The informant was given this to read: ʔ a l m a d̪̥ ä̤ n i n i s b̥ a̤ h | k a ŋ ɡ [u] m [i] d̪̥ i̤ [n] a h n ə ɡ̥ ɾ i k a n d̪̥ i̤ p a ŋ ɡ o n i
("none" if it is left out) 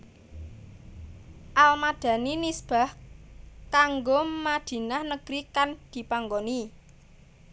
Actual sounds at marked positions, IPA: o, a, n

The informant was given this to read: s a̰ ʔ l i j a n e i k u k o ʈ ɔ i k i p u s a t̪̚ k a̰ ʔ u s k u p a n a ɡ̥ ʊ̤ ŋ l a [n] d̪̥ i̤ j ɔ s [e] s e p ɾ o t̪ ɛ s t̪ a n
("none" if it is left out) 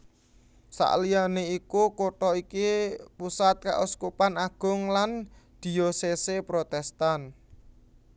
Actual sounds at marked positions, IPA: n, e

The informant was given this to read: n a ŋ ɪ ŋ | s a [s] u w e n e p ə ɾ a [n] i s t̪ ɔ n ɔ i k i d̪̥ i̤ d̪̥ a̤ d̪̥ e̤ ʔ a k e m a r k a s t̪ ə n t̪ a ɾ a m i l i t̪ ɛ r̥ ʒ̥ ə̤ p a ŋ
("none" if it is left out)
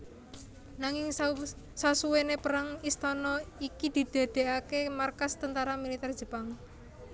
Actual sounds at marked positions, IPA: s, ŋ

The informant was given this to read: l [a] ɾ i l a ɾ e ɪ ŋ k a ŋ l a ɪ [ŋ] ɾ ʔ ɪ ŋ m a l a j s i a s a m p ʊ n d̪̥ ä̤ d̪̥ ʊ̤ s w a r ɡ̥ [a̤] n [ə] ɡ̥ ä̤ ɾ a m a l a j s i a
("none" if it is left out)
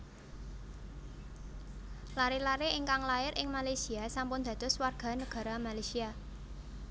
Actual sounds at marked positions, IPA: a, none, a̤, ə

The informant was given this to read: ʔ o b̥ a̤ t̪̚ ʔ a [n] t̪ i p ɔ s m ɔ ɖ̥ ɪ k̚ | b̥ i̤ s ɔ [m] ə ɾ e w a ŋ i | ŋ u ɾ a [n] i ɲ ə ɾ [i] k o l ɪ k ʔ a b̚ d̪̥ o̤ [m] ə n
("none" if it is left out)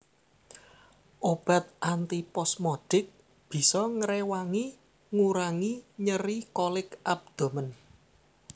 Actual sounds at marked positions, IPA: n, ŋ, ŋ, i, m

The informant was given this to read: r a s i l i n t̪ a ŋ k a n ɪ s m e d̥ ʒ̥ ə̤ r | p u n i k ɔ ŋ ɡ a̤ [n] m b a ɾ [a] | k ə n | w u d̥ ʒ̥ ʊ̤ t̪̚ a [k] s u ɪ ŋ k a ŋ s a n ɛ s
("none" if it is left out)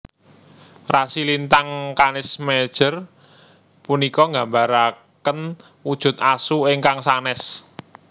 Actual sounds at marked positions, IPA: none, a, none

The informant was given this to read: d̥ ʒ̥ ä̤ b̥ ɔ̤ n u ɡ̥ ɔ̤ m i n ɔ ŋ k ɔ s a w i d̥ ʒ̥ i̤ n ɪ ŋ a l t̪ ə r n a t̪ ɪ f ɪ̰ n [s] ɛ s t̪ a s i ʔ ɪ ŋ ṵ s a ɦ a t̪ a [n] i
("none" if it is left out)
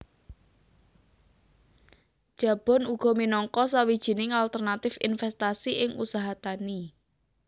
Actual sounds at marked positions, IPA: f, n

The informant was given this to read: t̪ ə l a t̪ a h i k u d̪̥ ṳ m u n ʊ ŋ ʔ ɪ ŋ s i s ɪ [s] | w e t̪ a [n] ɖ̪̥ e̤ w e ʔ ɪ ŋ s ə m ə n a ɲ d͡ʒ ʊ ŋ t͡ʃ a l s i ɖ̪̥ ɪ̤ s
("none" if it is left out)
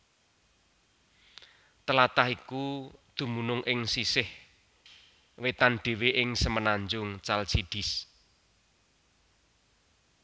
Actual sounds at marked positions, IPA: h, n

